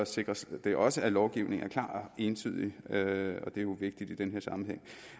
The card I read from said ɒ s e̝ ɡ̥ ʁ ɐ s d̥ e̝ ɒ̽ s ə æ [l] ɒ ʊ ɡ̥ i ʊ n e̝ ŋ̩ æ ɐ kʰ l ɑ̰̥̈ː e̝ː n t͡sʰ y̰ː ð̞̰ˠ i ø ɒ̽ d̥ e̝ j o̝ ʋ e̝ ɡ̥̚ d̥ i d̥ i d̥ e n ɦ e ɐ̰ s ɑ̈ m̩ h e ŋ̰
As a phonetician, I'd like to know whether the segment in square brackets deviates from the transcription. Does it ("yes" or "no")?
no